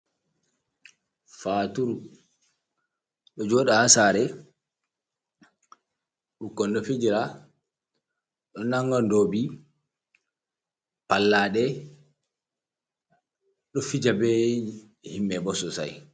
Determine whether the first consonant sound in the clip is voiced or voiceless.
voiceless